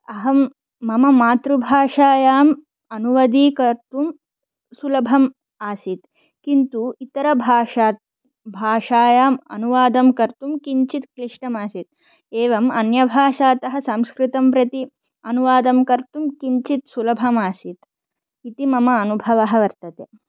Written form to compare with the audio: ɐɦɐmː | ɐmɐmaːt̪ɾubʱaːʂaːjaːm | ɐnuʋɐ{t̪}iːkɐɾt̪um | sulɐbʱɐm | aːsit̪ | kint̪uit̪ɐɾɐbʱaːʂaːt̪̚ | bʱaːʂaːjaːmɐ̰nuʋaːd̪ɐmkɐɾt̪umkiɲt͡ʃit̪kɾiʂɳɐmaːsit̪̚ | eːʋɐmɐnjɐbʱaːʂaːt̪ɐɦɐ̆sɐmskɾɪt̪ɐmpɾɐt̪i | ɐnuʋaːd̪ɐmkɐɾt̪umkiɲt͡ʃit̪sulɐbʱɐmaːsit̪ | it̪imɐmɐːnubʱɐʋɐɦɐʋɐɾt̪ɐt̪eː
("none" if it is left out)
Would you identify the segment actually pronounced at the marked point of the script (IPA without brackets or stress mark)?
d̪